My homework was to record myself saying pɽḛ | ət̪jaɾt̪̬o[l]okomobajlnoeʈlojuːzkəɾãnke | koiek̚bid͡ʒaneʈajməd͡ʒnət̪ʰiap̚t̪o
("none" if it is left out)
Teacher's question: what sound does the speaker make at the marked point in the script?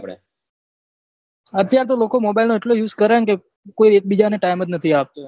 l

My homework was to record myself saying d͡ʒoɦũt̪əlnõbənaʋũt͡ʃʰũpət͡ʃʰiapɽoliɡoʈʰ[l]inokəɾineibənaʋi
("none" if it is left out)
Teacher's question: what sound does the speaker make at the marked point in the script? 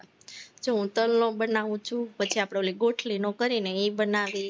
l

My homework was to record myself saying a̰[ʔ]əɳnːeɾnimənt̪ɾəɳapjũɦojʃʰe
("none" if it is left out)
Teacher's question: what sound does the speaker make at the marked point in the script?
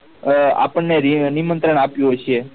p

